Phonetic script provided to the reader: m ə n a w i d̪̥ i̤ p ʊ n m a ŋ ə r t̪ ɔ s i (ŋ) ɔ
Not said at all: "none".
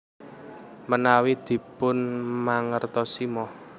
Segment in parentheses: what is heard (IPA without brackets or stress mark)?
m